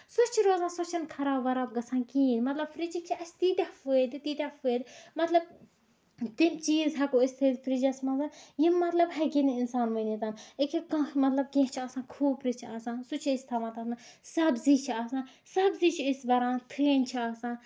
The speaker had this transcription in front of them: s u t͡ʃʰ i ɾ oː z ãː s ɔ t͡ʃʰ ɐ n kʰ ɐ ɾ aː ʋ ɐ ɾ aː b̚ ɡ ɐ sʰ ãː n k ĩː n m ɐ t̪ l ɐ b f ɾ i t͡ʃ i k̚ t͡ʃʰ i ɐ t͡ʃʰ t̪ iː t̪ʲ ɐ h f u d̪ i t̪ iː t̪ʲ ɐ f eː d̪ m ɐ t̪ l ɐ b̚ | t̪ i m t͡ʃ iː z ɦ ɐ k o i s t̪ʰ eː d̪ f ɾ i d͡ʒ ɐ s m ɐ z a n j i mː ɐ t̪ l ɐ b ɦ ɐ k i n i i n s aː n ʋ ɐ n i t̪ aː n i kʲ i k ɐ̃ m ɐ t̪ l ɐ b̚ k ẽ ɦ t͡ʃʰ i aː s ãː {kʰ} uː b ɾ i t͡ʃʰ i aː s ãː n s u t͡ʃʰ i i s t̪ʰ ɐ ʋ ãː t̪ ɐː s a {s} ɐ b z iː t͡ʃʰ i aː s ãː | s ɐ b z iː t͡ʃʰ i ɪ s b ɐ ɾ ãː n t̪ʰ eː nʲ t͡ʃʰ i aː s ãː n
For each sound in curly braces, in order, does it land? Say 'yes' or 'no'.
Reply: yes, yes

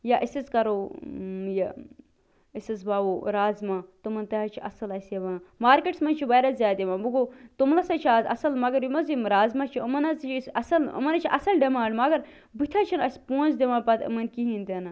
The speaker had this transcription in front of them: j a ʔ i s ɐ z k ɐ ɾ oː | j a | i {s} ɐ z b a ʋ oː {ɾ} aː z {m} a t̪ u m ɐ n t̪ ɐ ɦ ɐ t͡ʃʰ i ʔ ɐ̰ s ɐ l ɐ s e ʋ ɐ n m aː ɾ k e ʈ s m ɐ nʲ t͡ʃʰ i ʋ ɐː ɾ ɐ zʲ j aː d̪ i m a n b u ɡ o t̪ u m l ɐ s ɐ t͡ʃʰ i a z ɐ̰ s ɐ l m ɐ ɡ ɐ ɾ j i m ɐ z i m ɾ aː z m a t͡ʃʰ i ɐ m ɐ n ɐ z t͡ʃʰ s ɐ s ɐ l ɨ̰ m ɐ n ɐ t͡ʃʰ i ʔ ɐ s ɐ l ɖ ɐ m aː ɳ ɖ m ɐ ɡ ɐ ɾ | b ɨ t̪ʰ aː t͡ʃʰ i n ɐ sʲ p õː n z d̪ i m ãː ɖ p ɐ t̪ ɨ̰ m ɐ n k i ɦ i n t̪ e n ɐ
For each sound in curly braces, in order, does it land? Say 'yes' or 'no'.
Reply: yes, yes, yes

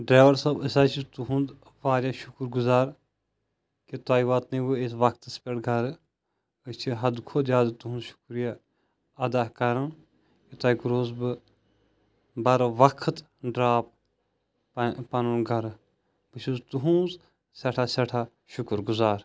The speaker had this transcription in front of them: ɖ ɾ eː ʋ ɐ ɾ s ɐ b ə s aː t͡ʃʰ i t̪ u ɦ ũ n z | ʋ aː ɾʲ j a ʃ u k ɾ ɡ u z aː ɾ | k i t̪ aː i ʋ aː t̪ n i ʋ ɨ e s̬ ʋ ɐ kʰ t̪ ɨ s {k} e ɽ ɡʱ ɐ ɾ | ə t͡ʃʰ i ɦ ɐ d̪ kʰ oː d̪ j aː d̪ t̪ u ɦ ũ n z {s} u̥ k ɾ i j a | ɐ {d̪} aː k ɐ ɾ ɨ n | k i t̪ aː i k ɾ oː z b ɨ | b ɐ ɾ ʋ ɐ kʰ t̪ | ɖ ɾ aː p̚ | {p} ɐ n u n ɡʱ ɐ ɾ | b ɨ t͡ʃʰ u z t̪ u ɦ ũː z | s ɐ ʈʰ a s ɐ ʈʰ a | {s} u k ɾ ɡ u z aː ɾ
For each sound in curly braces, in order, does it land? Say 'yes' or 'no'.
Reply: no, no, yes, yes, no

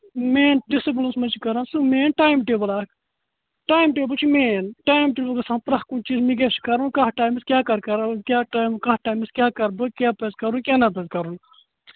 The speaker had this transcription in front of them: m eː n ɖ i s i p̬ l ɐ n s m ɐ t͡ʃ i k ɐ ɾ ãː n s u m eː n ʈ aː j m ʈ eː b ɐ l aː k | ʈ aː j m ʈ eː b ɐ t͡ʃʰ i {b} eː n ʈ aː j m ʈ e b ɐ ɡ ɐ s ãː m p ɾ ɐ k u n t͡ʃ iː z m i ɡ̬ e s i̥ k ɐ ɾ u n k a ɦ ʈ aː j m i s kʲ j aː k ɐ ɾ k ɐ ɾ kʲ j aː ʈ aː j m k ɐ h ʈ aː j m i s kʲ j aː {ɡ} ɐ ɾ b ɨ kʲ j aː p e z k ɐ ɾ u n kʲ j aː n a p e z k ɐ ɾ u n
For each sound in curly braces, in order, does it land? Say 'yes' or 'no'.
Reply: no, no

